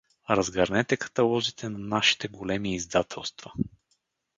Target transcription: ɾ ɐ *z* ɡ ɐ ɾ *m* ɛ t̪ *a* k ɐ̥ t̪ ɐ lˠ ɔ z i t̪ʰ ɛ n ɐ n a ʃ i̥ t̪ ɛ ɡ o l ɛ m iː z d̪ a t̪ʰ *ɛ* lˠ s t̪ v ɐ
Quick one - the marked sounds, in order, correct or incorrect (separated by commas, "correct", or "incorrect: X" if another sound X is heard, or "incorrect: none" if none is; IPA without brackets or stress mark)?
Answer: correct, incorrect: n, incorrect: ɛ, correct